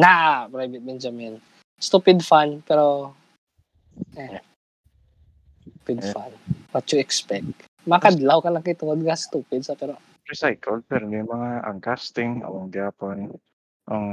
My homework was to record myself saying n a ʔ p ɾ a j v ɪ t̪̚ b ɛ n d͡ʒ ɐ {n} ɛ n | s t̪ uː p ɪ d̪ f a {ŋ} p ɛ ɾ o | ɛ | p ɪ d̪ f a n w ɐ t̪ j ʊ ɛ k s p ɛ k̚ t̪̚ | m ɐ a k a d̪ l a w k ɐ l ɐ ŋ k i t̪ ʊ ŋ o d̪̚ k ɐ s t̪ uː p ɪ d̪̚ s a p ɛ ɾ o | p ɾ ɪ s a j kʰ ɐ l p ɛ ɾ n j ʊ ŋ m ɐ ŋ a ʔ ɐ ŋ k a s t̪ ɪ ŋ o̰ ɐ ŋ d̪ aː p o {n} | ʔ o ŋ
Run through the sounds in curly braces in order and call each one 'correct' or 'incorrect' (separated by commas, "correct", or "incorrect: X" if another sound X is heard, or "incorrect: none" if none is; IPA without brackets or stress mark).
incorrect: m, incorrect: n, correct